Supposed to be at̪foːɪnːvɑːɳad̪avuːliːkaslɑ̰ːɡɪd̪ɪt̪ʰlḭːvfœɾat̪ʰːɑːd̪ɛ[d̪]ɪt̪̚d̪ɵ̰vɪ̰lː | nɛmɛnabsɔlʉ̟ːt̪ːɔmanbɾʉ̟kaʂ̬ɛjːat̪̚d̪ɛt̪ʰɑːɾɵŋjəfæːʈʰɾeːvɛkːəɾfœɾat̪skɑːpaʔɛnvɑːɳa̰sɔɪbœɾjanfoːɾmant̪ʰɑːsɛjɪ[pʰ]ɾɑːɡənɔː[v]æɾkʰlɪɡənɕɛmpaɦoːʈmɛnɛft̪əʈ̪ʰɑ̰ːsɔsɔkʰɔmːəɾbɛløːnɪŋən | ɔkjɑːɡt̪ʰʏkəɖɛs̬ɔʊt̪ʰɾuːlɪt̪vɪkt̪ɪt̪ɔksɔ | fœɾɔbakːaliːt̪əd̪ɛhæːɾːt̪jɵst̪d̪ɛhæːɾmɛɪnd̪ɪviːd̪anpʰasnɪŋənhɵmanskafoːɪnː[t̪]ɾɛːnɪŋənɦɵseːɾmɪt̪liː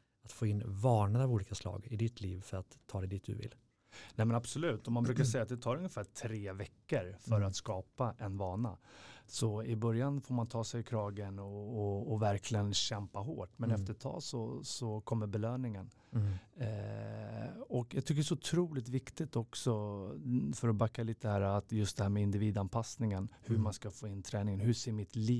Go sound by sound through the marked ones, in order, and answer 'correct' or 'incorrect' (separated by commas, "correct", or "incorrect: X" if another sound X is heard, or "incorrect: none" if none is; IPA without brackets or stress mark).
correct, incorrect: kʰ, correct, incorrect: t̪ʰ